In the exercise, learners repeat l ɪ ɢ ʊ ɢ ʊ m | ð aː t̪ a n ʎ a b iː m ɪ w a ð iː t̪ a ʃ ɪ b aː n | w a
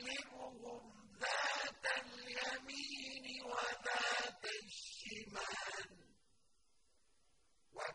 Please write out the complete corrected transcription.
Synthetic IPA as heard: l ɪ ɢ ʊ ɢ ʊ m | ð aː t̪ a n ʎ a m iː n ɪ w a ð aː t̪ a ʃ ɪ m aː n | w a